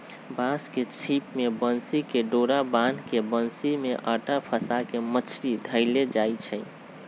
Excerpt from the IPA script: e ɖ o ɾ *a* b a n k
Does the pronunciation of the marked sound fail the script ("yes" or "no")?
no